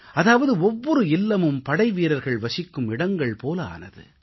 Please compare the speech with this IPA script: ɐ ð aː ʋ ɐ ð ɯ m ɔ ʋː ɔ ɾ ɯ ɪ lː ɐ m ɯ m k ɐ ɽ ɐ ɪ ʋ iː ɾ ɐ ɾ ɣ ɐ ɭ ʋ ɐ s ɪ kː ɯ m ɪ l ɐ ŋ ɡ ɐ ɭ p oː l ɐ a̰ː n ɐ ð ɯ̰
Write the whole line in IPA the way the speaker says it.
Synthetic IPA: ɐ ð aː ʋ ɐ ð ɯ ɔ ʋː ɔ ɾ ɯ ɪ lː ɐ m ɯ m p ɐ ɽ ɐ ɪ ʋ iː ɾ ɐ ɾ ɣ ɐ ɭ ʋ ɐ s ɪ kː ɯ m ɪ ɽ ɐ ŋ ɡ ɐ ɭ p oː l ɐ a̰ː n ɐ ð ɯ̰

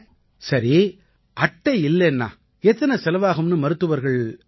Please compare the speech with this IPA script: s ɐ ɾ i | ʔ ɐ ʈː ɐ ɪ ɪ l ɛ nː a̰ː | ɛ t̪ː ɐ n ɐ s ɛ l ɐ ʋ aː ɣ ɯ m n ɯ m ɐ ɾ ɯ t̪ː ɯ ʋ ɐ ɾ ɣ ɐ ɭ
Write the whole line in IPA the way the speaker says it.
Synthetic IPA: s ɐ ɾ i | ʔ ɐ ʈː ɐ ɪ ɪ lː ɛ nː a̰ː | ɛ t̪ː ɐ n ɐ s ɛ l ɐ ʋ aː ɣ ɯ m n ɯ m ɐ ɾ ɯ t̪ː ɯ ʋ ɐ ɾ ɣ ɐ ɭ

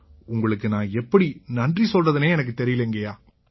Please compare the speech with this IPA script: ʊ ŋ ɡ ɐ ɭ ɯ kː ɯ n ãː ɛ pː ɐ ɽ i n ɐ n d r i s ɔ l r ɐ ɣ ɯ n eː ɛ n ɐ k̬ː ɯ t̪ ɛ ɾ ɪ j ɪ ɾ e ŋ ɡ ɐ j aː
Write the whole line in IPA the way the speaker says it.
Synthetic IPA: ʊ ŋ ɡ ɐ ɭ ɯ kː ɯ n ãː ɛ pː ɐ ɽ i n ɐ n d r i s ɔ l r ɐ ð ɯ n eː ɛ n ɐ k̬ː ɯ t̪ ɛ ɾ ɪ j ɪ l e ŋ ɡ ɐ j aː

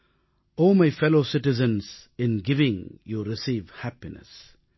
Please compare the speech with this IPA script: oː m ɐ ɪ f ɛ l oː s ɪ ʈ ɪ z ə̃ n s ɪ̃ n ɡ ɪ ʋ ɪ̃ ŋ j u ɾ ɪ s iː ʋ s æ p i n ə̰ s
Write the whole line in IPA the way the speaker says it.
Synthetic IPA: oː m a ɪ f ɛ l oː s ɪ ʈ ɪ z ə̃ n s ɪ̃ n ɡ ɪ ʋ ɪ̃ ŋ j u ɾ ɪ s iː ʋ h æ p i n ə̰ s

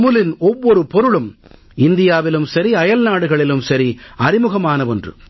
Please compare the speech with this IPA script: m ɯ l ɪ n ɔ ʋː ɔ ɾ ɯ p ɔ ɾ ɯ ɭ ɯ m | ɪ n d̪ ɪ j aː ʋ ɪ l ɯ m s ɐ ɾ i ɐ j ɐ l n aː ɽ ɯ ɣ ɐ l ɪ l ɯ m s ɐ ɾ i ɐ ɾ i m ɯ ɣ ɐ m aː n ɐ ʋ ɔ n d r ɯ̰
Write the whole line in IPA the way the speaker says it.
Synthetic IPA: m ɯ l ɪ n ɔ ʋː ɔ ɾ ɯ p ɔ ɾ ɯ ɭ ɯ m | ɪ n d̪ ɪ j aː ʋ ɪ l ɯ m s ɐ ɾ i ɐ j ɐ l n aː ɽ ɯ ɣ ɐ ɭ ɪ l ɯ m s ɐ ɾ i ɐ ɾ ɪ m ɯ ɣ ɐ m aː n ɐ ʋ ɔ n d r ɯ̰

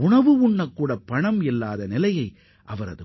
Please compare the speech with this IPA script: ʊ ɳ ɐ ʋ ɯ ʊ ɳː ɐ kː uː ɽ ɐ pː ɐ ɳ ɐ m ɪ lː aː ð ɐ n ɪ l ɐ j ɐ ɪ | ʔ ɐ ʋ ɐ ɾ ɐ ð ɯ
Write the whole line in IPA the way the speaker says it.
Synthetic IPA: ʊ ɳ ɐ ʋ ɯ ʊ ɳː ɐ kː uː ɽ ɐ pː ɐ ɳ ɐ m ɪ lː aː ð ɐ n ɪ l ɐ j ɐ ɪ | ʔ ɐ ʋ ɐ ɾ ɐ ð ɯ

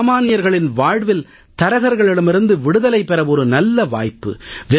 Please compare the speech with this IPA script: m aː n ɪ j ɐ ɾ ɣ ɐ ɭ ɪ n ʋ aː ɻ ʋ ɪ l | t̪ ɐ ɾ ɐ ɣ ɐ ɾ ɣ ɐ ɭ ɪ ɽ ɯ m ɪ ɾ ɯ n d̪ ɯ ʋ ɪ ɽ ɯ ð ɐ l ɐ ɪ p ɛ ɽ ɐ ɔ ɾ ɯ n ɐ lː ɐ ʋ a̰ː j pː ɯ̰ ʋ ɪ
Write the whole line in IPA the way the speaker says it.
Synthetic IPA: m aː n ɪ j ɐ ɾ ɣ ɐ ɭ ɪ n ʋ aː ɻ ʋ ɪ l | t̪ ɐ ɾ ɐ ɣ ɐ ɾ ɣ ɐ ɭ ɪ ɽ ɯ m ɪ ɾ ɯ n d̪ ɯ ʋ ɪ ɽ ɯ ð ɐ l ɐ ɪ p ɛ ɾ ɐ ɔ ɾ ɯ n ɐ lː ɐ ʋ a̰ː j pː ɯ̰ ʋ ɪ

